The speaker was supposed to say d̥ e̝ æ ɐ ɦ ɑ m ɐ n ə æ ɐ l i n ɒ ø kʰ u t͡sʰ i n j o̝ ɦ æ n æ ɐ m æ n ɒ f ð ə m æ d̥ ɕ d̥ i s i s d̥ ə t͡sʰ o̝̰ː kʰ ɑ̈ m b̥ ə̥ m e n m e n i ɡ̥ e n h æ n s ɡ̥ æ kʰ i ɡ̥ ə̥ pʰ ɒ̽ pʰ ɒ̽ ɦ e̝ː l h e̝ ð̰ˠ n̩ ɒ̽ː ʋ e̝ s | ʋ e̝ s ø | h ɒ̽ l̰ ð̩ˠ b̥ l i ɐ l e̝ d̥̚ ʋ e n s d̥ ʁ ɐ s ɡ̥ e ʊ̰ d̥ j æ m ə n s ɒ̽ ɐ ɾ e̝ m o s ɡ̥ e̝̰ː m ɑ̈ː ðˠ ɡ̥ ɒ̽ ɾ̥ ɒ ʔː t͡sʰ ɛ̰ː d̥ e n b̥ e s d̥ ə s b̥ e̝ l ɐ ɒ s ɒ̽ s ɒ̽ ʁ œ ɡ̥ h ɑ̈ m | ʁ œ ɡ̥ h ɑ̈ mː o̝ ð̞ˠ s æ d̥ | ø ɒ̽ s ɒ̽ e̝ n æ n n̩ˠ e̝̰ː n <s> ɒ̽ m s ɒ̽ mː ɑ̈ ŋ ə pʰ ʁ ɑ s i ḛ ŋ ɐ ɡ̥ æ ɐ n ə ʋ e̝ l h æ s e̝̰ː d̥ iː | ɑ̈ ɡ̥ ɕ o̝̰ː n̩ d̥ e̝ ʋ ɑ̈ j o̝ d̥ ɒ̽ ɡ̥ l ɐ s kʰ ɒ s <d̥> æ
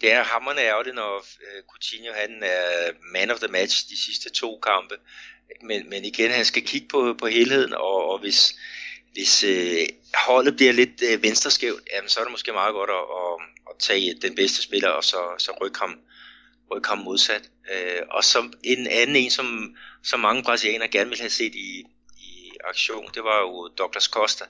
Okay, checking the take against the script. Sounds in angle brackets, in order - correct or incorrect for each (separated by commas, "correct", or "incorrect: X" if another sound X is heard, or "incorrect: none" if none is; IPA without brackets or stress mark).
correct, correct